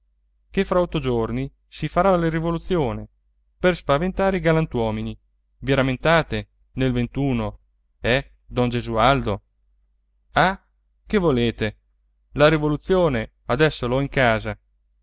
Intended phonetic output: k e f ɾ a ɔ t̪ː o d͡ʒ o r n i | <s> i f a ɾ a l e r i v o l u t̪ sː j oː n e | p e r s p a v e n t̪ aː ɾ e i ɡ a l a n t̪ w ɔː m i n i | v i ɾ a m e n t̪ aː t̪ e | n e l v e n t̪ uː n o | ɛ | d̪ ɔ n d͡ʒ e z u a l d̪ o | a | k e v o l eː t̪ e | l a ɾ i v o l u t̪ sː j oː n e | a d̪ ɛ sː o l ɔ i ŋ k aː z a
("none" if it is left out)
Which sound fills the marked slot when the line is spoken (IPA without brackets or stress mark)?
s